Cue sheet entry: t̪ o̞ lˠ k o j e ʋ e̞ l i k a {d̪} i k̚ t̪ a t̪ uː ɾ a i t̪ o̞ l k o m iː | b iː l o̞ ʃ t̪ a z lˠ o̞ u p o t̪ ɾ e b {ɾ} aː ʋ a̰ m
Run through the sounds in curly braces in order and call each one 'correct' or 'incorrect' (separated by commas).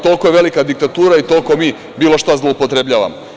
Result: correct, incorrect